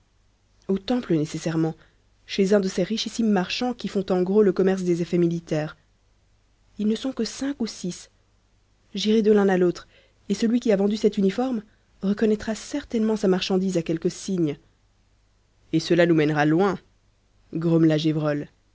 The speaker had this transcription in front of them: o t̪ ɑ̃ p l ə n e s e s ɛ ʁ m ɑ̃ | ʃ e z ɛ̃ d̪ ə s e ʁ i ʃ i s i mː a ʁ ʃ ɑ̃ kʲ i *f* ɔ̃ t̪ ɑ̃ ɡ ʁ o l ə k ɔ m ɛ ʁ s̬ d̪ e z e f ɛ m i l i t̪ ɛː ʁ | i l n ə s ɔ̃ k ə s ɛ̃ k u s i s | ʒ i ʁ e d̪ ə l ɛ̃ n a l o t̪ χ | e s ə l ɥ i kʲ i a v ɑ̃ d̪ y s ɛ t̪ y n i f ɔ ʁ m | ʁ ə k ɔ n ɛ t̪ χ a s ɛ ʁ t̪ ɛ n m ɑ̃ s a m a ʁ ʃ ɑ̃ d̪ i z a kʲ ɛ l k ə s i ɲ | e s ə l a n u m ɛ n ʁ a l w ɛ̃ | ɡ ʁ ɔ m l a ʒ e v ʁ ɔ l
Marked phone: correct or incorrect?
correct